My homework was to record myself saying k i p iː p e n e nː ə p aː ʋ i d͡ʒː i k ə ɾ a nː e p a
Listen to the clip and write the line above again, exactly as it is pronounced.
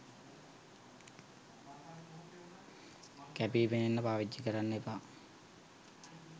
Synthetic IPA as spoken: k æ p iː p e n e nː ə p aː ʋ i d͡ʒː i k ə ɾ a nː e p a